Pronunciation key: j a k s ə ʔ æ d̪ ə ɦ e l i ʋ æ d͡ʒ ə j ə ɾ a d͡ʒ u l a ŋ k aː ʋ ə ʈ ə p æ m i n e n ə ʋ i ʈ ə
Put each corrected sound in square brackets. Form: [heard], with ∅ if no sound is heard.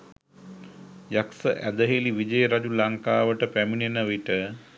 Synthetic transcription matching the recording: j a k s ə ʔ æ d̪ ə ɦ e l i ʋ [i] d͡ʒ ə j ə ɾ a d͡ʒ u l a ŋ k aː ʋ ə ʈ ə p æ m i n e n ə ʋ i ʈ ə